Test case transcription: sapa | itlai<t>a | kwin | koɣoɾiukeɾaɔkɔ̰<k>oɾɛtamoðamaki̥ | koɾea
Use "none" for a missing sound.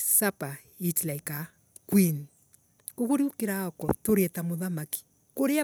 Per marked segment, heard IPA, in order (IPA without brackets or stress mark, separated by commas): k, t